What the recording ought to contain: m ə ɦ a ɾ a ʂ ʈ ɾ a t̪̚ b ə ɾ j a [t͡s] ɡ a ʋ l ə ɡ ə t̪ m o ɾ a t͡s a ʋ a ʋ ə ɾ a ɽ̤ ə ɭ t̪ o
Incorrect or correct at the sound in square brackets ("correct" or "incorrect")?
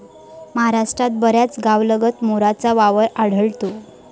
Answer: correct